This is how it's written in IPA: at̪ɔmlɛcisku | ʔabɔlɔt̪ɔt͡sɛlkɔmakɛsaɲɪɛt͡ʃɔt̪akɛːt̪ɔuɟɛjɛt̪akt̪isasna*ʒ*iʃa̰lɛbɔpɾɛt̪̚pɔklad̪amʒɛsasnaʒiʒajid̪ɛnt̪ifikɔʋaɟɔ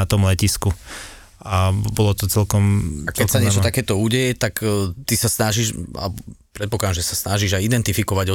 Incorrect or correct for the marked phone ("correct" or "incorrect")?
correct